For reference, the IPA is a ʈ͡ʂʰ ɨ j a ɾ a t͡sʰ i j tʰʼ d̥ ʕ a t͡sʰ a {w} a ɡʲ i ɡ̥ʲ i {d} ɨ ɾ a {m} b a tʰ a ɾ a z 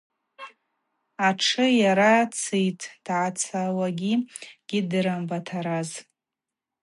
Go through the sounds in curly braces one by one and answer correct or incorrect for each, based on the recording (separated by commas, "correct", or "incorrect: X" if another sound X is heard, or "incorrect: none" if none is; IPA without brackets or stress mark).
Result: correct, correct, correct